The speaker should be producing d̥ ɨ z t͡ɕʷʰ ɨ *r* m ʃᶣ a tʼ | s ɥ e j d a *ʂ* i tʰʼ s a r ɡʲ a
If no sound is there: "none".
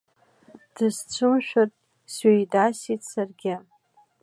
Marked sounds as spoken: none, s

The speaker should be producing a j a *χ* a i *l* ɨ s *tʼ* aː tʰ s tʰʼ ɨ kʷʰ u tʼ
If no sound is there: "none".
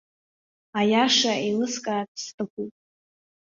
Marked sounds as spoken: ʂ, l, kʼ

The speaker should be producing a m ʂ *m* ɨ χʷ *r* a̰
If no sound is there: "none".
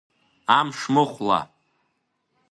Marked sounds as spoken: m, l

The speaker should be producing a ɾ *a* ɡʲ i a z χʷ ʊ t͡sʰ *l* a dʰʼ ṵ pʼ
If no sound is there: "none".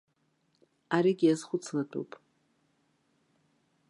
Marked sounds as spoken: i, l

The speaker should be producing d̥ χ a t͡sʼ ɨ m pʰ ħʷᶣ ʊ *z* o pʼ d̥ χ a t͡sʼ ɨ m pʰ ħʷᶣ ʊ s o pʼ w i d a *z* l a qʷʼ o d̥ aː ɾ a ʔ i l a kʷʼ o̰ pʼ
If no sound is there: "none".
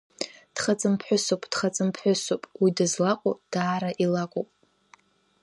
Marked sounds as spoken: s, z

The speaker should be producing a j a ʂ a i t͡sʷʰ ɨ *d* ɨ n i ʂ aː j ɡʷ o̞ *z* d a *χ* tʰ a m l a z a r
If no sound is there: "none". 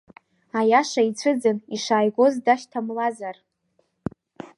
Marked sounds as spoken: d͡z, z, ʃ

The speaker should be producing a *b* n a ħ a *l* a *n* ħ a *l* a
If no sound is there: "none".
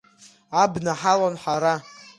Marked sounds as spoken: b, l, n, ɾ

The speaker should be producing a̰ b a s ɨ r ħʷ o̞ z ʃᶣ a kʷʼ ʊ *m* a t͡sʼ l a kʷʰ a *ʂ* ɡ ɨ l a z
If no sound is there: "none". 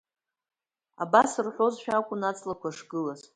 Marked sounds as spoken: n, ʂ

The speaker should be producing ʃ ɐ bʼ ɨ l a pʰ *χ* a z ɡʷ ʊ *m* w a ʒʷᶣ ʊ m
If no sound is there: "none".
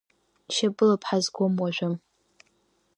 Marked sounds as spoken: ħ, m

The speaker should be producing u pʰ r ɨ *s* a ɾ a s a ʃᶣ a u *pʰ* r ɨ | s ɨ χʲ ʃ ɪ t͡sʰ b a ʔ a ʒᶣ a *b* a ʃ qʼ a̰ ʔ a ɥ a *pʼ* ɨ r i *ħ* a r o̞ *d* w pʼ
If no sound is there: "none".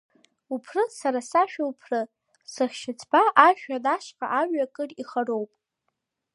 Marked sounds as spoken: s, pʰ, d, kʼ, χ, none

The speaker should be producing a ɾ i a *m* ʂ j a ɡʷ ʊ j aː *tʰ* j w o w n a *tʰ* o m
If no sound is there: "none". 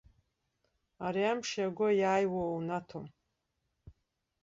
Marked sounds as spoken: m, none, tʰ

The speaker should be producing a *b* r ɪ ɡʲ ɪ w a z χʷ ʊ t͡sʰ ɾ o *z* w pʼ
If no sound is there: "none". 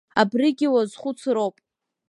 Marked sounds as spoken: b, none

